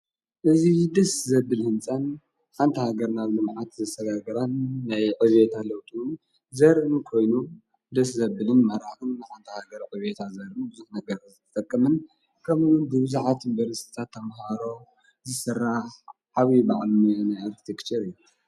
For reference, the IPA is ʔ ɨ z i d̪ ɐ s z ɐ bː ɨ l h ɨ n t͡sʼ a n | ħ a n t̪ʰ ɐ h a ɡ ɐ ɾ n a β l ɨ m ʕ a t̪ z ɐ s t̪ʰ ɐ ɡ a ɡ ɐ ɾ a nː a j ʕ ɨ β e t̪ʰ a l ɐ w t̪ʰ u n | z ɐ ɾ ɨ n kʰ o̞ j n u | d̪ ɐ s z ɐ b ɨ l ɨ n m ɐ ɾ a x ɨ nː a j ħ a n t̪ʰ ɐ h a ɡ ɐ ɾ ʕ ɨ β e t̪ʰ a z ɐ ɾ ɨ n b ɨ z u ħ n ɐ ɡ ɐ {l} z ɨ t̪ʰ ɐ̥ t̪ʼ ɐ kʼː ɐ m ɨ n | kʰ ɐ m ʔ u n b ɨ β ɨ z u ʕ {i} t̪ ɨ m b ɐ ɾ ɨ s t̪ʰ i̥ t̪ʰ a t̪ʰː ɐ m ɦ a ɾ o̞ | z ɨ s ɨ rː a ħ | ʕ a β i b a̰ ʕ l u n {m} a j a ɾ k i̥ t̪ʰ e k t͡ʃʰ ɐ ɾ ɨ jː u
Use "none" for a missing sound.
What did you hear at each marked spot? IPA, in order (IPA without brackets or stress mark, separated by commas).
ɾ, a, n